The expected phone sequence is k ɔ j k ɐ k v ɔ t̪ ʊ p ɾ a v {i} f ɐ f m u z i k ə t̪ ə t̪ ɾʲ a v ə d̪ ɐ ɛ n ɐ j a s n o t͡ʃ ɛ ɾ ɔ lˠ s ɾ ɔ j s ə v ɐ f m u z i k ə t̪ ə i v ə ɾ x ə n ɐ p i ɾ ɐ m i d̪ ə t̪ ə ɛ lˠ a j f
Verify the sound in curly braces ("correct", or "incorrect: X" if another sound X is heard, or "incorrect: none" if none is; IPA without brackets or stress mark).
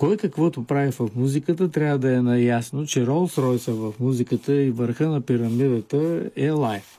correct